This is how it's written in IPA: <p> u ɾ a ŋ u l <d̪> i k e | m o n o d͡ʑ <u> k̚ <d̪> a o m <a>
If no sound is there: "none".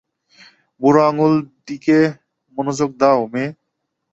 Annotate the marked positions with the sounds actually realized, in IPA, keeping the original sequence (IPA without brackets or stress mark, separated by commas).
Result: b, d̪, o, d̪, e